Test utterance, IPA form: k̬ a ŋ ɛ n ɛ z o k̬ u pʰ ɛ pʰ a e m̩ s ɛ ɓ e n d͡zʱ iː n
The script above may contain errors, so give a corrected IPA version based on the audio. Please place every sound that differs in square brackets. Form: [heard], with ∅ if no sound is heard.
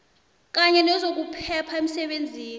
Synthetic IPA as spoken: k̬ a [ɲ] ɛ n ɛ z o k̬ u pʰ ɛ pʰ a e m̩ s ɛ ɓ e n d͡zʱ iː n